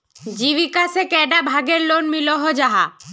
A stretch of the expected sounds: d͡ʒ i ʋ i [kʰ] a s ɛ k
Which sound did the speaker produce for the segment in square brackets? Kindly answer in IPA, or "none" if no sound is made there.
k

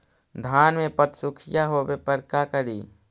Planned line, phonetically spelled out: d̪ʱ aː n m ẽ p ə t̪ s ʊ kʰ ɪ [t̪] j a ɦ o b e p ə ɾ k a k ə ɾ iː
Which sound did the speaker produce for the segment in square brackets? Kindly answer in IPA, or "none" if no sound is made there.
none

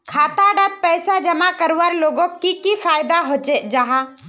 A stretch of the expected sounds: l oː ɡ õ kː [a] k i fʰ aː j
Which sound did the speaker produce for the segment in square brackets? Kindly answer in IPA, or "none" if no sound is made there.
i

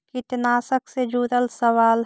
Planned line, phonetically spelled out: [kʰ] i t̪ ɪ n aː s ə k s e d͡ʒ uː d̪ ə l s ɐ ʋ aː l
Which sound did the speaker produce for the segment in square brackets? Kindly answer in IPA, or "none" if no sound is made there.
k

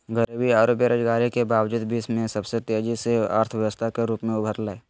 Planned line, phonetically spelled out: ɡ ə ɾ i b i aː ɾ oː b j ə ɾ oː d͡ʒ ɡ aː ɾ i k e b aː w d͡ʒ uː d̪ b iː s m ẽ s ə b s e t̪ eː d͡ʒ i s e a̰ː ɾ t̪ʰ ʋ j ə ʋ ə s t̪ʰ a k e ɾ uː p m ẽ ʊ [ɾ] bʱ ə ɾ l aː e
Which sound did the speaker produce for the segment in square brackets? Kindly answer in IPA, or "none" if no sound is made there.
none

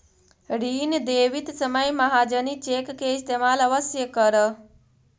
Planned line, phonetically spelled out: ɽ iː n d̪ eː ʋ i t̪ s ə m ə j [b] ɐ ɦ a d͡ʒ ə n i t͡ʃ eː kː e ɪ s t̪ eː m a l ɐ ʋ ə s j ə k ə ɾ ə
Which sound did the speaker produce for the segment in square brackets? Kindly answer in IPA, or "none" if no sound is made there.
m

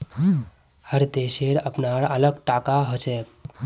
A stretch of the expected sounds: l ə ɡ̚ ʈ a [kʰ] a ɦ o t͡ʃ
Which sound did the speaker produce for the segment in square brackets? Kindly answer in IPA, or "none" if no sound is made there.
k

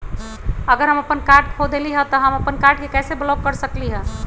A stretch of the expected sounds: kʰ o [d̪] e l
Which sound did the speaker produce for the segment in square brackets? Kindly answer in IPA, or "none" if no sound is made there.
d̪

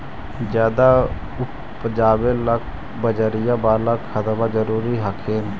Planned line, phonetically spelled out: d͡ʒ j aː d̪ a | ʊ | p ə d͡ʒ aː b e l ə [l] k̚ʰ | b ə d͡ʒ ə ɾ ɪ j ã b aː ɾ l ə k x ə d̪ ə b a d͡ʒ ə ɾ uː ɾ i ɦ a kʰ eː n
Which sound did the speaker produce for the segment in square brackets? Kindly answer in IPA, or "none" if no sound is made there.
none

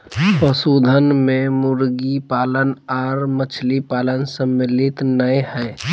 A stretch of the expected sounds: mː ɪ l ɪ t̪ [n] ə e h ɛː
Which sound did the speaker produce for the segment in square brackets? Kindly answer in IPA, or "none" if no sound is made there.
n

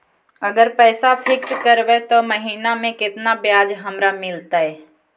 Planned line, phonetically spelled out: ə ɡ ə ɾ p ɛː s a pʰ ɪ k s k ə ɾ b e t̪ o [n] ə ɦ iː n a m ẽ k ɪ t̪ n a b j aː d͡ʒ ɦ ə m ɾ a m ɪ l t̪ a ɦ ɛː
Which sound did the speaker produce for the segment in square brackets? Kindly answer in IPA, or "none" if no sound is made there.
m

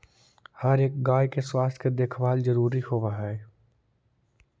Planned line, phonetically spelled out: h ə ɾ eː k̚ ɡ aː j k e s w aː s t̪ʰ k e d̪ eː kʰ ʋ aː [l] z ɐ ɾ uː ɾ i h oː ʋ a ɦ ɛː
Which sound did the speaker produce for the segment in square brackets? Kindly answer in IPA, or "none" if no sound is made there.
l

